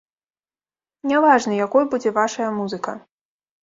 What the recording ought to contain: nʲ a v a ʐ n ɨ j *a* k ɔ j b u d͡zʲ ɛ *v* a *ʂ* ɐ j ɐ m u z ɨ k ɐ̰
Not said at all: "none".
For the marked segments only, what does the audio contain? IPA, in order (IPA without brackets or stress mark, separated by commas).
a, v, ʂ